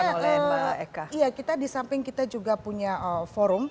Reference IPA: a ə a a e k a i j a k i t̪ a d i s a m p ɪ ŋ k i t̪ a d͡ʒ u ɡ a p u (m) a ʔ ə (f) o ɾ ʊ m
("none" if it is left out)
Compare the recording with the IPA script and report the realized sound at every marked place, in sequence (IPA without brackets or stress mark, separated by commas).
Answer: ɲ, f